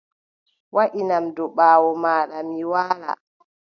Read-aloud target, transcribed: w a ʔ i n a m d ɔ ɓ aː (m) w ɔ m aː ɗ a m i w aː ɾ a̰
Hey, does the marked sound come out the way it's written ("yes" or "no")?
no